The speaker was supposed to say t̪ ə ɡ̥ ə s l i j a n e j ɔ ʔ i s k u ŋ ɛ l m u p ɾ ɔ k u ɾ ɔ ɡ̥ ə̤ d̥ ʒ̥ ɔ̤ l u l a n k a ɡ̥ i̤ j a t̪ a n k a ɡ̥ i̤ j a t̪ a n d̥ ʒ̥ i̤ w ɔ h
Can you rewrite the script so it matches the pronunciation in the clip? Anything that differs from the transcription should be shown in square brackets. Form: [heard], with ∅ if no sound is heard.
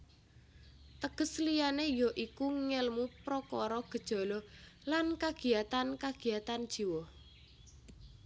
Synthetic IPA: t̪ ə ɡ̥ ə s l i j a n e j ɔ ʔ i [∅] k u ŋ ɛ l m u p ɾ ɔ k [ɔ] ɾ ɔ ɡ̥ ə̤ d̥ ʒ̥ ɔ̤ l [ɔ] l a n k a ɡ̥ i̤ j a t̪ a n k a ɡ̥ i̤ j a t̪ a n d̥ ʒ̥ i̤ w ɔ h